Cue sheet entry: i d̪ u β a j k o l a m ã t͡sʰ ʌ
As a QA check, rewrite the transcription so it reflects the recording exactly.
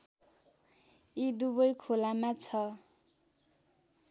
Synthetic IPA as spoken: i d̪ u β ʌ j kʰ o l a m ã t͡sʰ ʌ